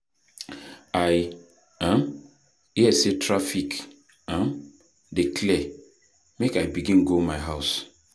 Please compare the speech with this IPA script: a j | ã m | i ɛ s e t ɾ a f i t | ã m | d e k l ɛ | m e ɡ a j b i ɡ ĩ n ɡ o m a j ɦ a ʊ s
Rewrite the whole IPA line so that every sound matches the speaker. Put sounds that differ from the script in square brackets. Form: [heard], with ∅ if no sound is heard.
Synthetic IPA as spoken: a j | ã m | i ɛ s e t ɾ a f i [k] | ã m | d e k l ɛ | m e [k] a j b i ɡ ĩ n ɡ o m a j ɦ a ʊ s